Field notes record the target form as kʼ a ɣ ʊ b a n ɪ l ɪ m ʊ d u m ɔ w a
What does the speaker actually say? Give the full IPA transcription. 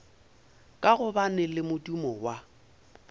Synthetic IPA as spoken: kʼ a ɣ ʊ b a n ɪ l ɪ m ʊ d u m ɔ w a

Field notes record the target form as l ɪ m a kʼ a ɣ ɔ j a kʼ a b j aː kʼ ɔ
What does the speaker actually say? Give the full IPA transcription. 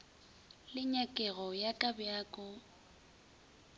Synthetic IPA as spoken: l ɪ ɲ a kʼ ɛ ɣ ɔ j a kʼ a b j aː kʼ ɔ

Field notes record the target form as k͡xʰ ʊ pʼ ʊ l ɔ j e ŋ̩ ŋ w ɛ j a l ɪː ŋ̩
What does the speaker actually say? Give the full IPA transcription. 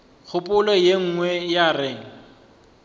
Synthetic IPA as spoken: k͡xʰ ʊ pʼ ʊ l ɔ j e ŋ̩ ŋ w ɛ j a r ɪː ŋ̩

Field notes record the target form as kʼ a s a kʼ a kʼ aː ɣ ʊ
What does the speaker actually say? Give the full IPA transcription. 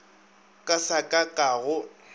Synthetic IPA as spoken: kʼ a s a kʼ a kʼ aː ɣ ʊ

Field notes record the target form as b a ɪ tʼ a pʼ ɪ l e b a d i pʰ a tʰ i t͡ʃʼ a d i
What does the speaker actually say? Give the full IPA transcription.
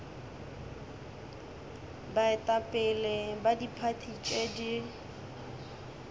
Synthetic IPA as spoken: b a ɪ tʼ a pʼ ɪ l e b a d i pʰ a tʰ i t͡ʃʼ e d i

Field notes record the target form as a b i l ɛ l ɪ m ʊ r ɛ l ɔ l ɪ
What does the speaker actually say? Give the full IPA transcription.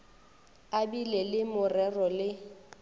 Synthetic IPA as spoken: a b i l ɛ l ɪ m ʊ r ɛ r ɔ l ɪ

